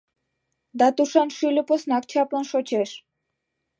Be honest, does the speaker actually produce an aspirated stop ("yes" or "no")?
yes